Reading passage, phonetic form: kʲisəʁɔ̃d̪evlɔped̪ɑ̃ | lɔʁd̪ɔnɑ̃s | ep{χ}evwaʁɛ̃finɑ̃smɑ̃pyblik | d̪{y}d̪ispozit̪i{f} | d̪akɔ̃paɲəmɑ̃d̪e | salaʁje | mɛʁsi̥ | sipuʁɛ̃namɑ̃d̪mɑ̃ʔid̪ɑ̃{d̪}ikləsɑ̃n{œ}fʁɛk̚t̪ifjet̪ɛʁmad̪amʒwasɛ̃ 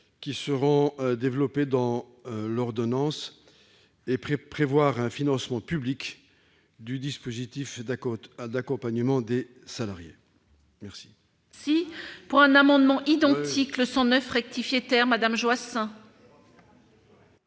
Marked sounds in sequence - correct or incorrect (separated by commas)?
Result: correct, correct, correct, incorrect, correct